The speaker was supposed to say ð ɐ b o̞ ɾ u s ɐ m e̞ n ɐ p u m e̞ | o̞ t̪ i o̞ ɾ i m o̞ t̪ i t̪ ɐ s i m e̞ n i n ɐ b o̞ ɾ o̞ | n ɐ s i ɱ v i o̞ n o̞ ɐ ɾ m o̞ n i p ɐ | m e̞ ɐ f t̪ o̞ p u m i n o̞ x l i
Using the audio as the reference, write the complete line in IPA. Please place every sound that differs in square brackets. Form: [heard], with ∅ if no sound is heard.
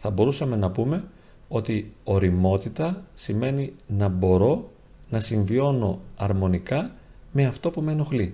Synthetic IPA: [θ] ɐ b o̞ ɾ u s ɐ m e̞ n ɐ p u m e̞ | o̞ t̪ i o̞ ɾ i m o̞ t̪ i t̪ ɐ s i m e̞ n i n ɐ b o̞ ɾ o̞ | n ɐ s i ɱ v i o̞ n o̞ ɐ ɾ m o̞ n i [k] ɐ | m e̞ ɐ f t̪ o̞ p u m [e] n o̞ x l i